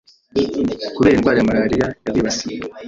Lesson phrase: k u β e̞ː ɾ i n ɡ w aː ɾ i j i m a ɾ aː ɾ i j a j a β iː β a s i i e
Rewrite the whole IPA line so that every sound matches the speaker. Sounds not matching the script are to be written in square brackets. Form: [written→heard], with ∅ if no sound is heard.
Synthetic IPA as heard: k u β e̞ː ɾ i n ɡ w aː ɾ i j [i→a] m a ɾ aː ɾ i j a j a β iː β a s i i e

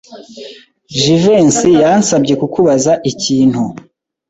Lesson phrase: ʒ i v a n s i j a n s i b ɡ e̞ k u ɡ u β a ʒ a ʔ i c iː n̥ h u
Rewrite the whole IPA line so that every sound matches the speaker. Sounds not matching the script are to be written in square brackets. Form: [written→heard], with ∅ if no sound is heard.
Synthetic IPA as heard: ʒ i v [a→e] n s i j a n s [i→a] b [ɡ→ɟ] e̞ k u [ɡ→k] u β a [ʒ→z] a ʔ i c iː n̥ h u

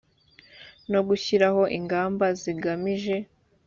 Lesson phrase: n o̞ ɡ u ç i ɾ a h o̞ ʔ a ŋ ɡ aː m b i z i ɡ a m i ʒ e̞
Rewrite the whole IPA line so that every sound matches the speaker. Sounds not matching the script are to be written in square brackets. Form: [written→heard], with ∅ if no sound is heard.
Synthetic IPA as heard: n o̞ ɡ u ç i ɾ a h o̞ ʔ [a→i] ŋ ɡ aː m b [i→a] z i ɡ a m i ʒ e̞

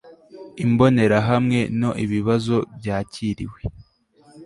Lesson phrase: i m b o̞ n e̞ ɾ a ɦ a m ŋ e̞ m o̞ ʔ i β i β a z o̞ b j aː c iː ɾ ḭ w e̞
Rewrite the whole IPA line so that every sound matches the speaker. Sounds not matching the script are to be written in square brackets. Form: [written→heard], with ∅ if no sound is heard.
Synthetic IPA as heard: i m b o̞ n e̞ ɾ a ɦ a m ŋ e̞ [m→n] o̞ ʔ i β i β a z o̞ b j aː c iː ɾ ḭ w e̞

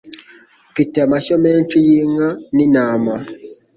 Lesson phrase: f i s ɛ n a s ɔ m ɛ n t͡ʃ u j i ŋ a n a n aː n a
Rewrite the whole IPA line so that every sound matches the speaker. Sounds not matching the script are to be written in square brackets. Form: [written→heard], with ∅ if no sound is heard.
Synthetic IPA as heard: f i [s→t] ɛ [n→m] a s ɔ m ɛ n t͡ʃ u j i ŋ a n [a→i] n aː [n→m] a

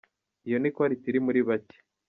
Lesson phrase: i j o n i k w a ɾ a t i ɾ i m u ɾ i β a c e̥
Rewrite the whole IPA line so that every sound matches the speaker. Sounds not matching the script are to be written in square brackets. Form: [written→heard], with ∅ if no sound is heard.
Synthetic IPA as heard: i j o n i k w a ɾ [a→i] t i ɾ i m u ɾ i β a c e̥

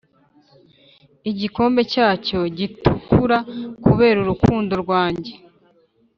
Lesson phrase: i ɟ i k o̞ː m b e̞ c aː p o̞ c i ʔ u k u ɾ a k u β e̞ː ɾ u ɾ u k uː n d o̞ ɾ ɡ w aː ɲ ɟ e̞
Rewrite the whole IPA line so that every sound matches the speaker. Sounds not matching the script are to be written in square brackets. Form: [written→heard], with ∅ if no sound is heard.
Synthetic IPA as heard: i ɟ i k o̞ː m b e̞ c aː [p→c] o̞ [c→ɟ] i [ʔ→t] u k u ɾ a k u β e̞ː ɾ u ɾ u k uː n d o̞ ɾ ɡ w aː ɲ ɟ e̞

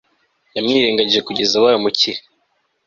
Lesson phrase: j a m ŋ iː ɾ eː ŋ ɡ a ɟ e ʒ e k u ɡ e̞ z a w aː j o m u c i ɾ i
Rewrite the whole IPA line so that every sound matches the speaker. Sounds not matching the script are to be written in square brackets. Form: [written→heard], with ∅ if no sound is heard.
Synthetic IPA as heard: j a m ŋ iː ɾ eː ŋ ɡ a ɟ [e→i] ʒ e k u [ɡ→ɟ] e̞ z a w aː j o m u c i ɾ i

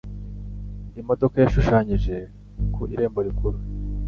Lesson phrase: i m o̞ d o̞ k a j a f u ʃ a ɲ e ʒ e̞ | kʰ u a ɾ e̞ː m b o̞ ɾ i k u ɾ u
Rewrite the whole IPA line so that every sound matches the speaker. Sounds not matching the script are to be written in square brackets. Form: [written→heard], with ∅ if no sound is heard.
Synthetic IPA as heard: i m o̞ d o̞ k a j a [f→ʃ] u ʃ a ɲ [e→i] ʒ e̞ | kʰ u [a→i] ɾ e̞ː m b o̞ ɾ i k u ɾ u

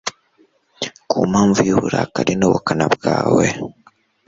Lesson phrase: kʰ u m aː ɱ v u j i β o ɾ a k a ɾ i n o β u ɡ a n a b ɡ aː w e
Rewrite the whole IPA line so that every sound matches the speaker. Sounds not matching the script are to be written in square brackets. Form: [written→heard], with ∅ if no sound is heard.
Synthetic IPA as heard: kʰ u m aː ɱ v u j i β [o→u] ɾ a k a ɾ i n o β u [ɡ→k] a n a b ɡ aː w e

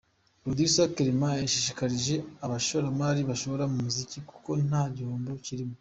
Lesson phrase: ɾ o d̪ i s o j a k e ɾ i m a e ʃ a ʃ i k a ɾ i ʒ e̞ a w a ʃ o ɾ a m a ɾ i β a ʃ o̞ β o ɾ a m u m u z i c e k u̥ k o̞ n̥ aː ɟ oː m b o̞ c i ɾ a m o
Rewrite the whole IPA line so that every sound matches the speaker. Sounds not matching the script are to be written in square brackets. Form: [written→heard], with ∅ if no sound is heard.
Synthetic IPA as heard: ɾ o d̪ i s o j a k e ɾ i m a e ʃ [a→i] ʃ i k a ɾ i ʒ e̞ a [w→β] a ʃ o ɾ a m a ɾ i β a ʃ o̞ β o ɾ a m u m u z i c [e→i] k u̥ k o̞ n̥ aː ɟ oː m b o̞ c i ɾ [a→i] m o

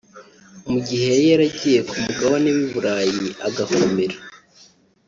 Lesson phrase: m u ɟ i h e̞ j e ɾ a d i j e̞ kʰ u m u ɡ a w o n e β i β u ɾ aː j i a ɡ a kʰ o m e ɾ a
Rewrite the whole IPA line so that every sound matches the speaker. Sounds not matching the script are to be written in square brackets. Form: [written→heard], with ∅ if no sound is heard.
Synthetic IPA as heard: m u ɟ i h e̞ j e ɾ a [d→ɟ] i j e̞ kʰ u m u ɡ a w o n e β i β u ɾ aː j i a ɡ a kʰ o m e ɾ a

